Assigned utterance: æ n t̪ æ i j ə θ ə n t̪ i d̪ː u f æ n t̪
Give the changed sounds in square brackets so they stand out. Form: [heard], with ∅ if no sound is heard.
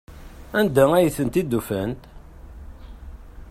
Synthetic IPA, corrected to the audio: æ n [d̪] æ [æ] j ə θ ə n t̪ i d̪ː u f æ n t̪